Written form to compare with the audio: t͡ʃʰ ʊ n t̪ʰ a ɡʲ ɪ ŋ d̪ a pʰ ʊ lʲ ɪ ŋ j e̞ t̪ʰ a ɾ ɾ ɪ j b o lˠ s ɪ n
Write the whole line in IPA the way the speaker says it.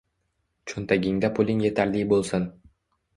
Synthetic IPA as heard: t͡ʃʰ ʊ n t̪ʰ a ɡʲ ɪ ŋ d̪ a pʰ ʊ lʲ ɪ ŋ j e̞ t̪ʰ a ɾ l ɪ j b o lˠ s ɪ n